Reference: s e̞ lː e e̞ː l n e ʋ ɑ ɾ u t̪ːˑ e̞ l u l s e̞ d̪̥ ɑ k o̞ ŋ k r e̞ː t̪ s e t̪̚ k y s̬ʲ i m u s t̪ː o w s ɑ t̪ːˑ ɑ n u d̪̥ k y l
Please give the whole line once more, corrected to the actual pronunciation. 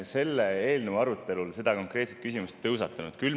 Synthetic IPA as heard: s e̞ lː e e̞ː l n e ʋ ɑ ɾ u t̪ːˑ e̞ l u l s e̞ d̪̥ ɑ k o̞ ŋ k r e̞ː t̪ s e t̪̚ k y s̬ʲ i m u s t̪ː ɤ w s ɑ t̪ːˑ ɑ n u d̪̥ k y l